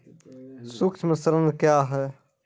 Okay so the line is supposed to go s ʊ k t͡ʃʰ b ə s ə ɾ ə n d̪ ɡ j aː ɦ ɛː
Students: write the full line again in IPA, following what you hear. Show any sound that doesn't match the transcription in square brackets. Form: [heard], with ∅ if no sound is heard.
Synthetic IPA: s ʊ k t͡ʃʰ [m] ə s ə ɾ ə n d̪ [k] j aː ɦ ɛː